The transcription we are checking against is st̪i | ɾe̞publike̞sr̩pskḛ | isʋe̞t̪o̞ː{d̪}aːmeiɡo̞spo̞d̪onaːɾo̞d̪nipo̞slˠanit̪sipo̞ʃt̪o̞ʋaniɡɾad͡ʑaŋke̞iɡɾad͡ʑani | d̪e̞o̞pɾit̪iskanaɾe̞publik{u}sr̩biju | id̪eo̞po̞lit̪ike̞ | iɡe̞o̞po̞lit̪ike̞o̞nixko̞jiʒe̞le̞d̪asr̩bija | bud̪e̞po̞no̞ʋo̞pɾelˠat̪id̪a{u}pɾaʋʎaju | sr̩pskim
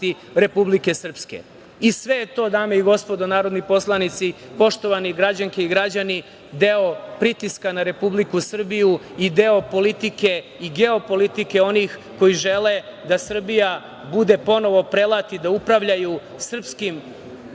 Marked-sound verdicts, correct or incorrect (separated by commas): correct, correct, correct